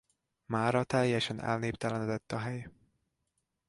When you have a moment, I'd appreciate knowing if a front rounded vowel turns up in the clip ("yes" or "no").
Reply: no